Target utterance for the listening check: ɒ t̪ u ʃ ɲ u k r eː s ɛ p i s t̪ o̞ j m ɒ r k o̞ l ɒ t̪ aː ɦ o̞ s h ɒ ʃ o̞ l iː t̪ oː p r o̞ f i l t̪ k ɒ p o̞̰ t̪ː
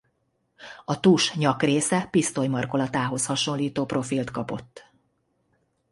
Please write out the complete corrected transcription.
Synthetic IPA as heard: ɒ t̪ u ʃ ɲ ɒ k r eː s ɛ p i s t̪ o̞ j m ɒ r k o̞ l ɒ t̪ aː ɦ o̞ s h ɒ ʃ o̞ l iː t̪ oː p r o̞ f i l t̪ k ɒ p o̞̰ t̪ː